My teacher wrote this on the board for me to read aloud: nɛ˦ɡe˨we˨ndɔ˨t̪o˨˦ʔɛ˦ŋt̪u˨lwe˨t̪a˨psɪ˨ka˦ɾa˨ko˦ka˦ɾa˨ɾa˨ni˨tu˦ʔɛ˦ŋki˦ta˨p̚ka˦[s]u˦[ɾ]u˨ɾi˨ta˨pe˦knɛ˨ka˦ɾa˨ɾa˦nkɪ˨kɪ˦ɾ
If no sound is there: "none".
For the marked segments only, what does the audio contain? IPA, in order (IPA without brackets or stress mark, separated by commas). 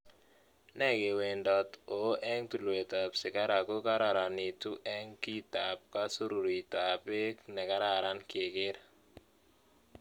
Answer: s, ɾ